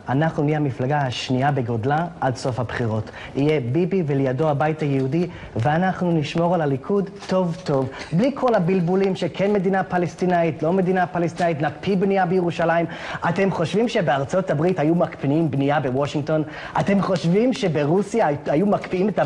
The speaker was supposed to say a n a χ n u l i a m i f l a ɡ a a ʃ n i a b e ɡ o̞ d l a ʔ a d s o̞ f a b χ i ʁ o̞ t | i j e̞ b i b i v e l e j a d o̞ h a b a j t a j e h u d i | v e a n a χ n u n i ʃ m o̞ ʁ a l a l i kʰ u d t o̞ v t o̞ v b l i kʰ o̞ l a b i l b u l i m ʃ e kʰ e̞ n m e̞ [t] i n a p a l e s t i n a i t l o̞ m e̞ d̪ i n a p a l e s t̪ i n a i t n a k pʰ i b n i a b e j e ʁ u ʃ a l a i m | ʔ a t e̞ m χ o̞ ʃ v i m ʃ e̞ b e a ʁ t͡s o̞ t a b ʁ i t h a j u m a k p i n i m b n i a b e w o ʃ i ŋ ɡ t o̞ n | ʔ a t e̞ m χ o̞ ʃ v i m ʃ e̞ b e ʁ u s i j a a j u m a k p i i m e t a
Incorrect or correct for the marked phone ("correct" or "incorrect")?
incorrect